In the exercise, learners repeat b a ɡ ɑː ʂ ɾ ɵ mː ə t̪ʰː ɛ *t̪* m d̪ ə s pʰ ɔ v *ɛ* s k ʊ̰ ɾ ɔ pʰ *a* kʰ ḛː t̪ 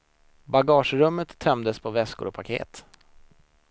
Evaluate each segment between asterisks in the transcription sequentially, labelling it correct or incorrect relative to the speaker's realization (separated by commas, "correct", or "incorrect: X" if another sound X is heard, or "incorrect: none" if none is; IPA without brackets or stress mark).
incorrect: none, correct, correct